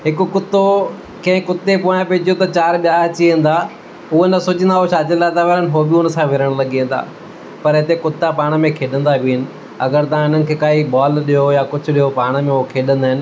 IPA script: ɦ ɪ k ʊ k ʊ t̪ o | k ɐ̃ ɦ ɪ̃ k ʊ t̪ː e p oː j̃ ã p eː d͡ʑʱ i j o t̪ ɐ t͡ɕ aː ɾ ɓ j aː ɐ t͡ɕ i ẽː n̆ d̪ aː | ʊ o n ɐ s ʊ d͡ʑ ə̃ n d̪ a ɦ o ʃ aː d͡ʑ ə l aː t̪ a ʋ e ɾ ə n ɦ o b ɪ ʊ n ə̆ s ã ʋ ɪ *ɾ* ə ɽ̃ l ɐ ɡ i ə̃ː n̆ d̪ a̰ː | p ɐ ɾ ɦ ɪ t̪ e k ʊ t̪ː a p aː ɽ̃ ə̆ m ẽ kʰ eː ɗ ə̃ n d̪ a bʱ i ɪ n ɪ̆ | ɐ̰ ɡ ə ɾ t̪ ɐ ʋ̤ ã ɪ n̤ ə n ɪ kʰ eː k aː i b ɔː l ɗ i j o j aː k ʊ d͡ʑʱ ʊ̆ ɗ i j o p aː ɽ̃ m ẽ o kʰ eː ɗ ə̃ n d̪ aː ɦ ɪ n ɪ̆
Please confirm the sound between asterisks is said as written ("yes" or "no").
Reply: yes